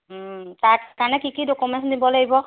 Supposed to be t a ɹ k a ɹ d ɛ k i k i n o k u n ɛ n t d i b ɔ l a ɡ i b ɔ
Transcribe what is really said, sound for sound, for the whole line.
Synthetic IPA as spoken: t a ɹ k a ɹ n ɛ k i k i d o k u m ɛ n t d i b ɔ l a ɡ i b ɔ

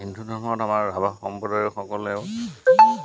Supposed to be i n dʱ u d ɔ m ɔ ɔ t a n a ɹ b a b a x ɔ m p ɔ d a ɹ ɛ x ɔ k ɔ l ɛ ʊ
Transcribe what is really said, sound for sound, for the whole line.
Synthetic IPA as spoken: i n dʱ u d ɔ m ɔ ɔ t a m a ɹ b a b a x ɔ m p ɔ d a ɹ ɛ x ɔ k ɔ l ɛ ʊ

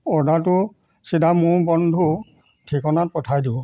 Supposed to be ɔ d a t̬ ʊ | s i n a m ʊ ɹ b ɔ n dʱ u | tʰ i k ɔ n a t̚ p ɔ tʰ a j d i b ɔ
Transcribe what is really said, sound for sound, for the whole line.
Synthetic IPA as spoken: ɔ d a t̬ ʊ | s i d a m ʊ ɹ b ɔ n dʱ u | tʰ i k ɔ n a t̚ p ɔ tʰ a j d i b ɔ

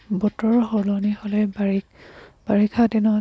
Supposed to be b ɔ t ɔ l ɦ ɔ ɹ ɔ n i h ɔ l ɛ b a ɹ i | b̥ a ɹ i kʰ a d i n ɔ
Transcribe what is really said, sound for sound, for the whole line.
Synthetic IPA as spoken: b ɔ t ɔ ɹ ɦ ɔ l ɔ n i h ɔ l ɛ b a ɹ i | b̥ a ɹ i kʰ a d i n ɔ

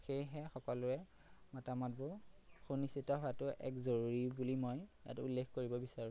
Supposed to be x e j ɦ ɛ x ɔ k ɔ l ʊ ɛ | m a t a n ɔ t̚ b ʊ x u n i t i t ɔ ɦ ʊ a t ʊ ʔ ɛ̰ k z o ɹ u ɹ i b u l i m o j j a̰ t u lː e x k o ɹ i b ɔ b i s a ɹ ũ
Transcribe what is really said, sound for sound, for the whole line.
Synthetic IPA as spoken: x e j ɦ ɛ x ɔ k ɔ l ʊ ɛ | m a t a m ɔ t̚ b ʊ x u n i s i t ɔ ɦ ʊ a t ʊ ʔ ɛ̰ k z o ɹ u ɹ i b u l i m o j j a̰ t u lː e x k o ɹ i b ɔ b i s a ɹ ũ

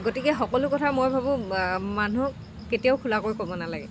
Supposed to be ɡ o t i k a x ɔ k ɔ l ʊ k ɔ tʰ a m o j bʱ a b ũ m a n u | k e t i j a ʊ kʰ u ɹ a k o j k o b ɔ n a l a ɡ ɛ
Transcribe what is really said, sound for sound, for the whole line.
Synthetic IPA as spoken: ɡ o t i k ɛ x ɔ k ɔ l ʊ k ɔ tʰ a m o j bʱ a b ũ m a n u | k e t i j a ʊ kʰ u l a k o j k o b ɔ n a l a ɡ ɛ

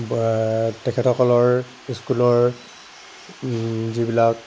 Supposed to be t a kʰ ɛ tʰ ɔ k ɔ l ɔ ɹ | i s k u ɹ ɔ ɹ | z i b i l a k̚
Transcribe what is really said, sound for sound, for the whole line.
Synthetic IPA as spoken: t ɛ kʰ ɛ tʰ ɔ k ɔ l ɔ ɹ | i s k u l ɔ ɹ | z i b i l a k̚

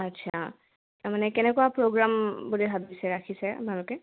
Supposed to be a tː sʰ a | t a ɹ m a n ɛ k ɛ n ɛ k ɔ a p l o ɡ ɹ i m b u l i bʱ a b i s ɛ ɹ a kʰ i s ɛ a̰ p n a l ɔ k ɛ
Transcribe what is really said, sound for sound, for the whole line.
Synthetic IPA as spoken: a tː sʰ a | t a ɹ m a n ɛ k ɛ n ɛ k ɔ a p ɹ o ɡ ɹ a m b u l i bʱ a b i s ɛ ɹ a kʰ i s ɛ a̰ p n a l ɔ k ɛ

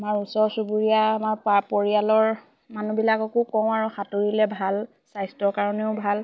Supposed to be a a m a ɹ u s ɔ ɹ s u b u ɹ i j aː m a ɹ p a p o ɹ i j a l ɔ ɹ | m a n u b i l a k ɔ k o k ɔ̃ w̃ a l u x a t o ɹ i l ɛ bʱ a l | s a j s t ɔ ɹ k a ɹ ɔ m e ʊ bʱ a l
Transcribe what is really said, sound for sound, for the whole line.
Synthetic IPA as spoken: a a m a ɹ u s ɔ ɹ s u b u ɹ i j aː m a ɹ p a p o ɹ i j a l ɔ ɹ | m a n u b i l a k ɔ k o k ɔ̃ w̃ a ɹ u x a t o ɹ i l ɛ bʱ a l | s a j s t ɔ ɹ k a ɹ ɔ n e ʊ bʱ a l

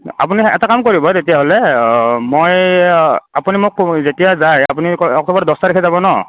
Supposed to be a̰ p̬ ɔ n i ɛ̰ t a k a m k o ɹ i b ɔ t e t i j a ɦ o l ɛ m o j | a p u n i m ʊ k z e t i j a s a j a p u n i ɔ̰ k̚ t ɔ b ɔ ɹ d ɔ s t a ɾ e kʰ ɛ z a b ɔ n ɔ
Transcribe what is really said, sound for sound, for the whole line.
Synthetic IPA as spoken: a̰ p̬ u n i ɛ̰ t a k a m k o ɹ i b ɔ t e t i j a ɦ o l ɛ m o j | a p u n i m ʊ k z e t i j a z a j a p u n i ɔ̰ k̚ t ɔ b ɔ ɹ d ɔ s t a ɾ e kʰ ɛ z a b ɔ n ɔ

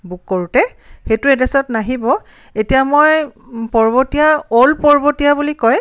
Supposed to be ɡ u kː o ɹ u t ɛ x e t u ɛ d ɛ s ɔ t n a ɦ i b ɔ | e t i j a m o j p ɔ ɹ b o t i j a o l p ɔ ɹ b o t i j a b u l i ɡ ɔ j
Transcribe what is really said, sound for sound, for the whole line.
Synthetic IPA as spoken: b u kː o ɹ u t ɛ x e t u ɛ d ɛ s ɔ t n a ɦ i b ɔ | e t i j a m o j p ɔ ɹ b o t i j a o l p ɔ ɹ b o t i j a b u l i k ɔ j

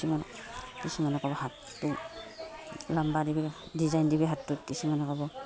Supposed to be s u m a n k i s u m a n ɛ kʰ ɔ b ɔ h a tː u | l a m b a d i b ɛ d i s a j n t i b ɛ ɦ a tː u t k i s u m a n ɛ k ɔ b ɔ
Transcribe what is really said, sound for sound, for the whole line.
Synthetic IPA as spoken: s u m a n k i s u m a n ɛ k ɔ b ɔ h a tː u | l a m b a d i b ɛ d i z a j n d i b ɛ ɦ a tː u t k i s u m a n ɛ k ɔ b ɔ

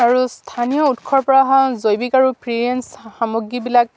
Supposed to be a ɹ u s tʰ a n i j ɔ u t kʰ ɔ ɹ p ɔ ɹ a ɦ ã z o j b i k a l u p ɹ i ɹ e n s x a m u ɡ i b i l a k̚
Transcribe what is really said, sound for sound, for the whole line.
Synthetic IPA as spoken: a ɹ u s tʰ a n i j ɔ u t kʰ ɔ ɹ p ɔ ɹ a ɦ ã z o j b i k a ɹ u p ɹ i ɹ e n s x a m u ɡ i b i l a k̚

